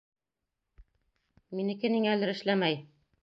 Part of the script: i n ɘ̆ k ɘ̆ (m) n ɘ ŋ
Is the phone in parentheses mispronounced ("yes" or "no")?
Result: yes